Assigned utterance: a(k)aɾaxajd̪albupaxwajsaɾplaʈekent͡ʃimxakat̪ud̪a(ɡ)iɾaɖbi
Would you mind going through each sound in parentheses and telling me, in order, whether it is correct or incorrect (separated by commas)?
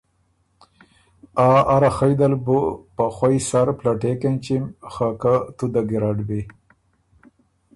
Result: incorrect, correct